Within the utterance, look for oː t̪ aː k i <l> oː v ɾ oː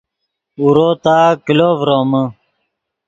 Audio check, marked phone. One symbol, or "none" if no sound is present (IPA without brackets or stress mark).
l